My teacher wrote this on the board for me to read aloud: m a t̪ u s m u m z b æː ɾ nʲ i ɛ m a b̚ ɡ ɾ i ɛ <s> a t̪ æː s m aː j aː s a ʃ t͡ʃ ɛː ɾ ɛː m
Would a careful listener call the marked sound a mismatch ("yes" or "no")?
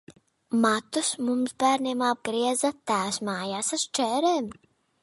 yes